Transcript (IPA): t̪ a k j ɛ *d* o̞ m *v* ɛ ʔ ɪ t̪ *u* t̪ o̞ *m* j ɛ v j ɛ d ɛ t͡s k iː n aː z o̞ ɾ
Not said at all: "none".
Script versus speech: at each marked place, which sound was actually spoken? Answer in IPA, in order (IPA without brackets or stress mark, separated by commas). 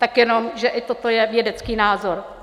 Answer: n, ʒ, o, none